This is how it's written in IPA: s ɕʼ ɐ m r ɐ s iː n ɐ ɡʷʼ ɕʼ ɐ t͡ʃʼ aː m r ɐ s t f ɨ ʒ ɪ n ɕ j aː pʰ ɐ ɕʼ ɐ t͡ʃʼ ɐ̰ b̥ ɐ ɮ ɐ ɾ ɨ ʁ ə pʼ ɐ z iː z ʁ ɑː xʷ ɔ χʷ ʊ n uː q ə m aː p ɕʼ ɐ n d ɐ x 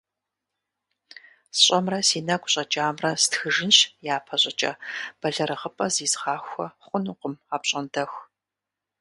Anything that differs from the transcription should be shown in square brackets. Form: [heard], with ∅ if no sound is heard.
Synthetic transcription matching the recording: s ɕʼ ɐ m r ɐ s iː n ɐ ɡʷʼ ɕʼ ɐ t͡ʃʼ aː m r ɐ s t [x] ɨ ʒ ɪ n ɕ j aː pʰ ɐ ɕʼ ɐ t͡ʃʼ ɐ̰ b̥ ɐ ɮ ɐ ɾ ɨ ʁ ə pʼ ɐ z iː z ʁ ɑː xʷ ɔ χʷ ʊ n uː q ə m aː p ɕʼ ɐ n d ɐ x